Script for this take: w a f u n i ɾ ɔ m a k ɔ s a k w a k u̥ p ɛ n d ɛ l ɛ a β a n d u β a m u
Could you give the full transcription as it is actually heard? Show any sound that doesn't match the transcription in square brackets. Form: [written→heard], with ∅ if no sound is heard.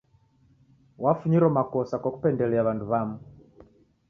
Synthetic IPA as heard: w a f u [n→ɲ] i ɾ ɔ m a k ɔ s a k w a k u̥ p ɛ n d ɛ l ɛ a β a n d u β a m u

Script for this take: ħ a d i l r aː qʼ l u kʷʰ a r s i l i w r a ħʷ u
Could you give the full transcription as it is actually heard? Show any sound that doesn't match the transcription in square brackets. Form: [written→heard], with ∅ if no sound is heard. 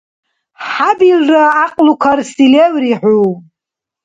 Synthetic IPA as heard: ħ a [d→b] i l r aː qʼ l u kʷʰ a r s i l [i→e] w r [a→i] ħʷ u

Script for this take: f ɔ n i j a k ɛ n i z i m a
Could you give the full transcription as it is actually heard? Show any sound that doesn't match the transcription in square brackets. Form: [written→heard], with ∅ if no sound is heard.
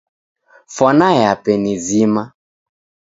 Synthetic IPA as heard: f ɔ n [i→a] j a [k→p] ɛ n i z i m a

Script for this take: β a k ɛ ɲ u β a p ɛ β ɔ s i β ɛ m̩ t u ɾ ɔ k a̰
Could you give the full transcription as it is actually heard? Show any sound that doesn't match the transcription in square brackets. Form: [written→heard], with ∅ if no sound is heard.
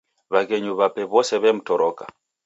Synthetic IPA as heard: β a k ɛ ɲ u β a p ɛ β ɔ s [i→ɛ] β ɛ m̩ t [u→ɔ] ɾ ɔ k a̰

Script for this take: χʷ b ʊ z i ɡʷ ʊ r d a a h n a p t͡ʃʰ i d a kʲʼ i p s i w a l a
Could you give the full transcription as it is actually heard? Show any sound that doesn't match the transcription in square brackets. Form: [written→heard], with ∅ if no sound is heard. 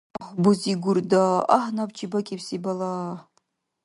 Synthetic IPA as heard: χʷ b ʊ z i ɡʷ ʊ r d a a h n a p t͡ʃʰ i [d→b] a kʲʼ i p s i [w→b] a l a

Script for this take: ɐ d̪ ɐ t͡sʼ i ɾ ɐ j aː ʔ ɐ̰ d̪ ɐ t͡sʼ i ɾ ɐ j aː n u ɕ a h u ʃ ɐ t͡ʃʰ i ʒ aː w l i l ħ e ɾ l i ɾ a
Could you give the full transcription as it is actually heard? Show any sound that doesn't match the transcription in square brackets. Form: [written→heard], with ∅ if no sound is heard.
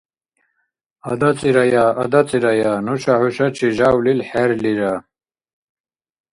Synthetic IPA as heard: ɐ d̪ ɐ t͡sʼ i ɾ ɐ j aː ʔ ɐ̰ d̪ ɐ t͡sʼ i ɾ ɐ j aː n u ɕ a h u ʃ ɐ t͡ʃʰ i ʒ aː w l i l ħ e ɾ l i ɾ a

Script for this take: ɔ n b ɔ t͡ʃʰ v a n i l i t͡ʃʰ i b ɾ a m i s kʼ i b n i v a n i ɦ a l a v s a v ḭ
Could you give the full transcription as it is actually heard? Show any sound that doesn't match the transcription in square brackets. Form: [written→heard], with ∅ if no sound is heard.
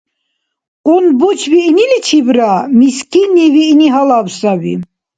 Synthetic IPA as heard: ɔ n b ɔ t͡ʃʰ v [a→i] n i l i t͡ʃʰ i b ɾ a m i s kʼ i [b→∅] n i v [a→i] n i ɦ a l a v s a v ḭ

